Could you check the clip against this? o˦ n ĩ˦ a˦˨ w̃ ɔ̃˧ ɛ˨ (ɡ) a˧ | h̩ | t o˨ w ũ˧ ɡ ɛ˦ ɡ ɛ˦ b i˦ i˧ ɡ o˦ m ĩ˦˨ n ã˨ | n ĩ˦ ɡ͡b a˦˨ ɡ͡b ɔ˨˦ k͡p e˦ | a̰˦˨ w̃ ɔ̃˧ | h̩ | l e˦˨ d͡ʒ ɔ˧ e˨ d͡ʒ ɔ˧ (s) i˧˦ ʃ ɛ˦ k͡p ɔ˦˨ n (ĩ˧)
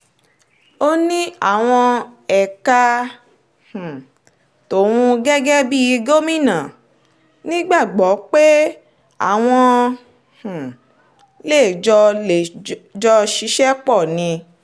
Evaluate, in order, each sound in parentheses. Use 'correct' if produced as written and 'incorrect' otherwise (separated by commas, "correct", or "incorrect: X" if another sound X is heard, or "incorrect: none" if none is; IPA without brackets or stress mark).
incorrect: k, incorrect: ʃ, correct